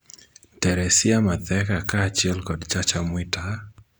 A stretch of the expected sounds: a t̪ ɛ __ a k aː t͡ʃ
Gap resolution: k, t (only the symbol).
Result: k